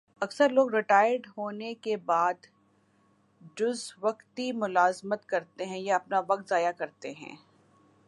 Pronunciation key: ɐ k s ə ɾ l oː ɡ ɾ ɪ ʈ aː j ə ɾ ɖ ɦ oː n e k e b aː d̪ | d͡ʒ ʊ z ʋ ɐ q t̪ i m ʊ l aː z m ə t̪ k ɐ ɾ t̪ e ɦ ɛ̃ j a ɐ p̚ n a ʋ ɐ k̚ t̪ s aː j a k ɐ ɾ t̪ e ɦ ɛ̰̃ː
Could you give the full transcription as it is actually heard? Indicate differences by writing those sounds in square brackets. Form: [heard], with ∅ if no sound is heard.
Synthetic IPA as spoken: ɐ k s ə ɾ l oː ɡ ɾ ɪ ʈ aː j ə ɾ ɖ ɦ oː n e k e b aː d̪ | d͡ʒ ʊ z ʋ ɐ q t̪ i m ʊ l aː z m ə t̪ k ɐ ɾ t̪ e ɦ ɛ̃ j a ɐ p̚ n a ʋ ɐ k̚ t̪ [z] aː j a k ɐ ɾ t̪ e ɦ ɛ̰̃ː